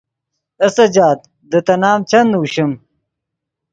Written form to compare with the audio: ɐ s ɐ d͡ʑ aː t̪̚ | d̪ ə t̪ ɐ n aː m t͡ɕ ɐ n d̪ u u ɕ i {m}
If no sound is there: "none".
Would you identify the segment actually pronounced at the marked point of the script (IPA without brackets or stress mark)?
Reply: m